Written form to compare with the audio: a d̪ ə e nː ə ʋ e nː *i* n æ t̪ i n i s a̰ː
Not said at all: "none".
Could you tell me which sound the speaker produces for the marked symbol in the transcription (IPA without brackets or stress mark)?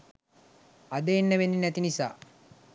i